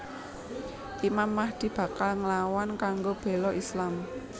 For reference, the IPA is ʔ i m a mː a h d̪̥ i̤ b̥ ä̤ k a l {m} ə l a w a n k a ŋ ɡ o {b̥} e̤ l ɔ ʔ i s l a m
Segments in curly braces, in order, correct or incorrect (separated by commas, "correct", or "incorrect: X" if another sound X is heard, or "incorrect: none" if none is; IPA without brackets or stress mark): incorrect: ŋ, correct